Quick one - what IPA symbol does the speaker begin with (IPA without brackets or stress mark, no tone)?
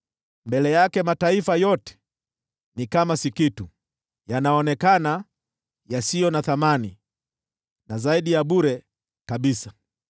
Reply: m